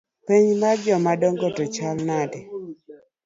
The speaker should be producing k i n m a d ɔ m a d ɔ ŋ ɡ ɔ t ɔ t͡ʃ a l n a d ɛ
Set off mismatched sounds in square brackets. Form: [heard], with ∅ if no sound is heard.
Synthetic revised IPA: [p] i [ɲ] m a [d͡ʒ] ɔ m a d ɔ ŋ ɡ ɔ t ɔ t͡ʃ a l n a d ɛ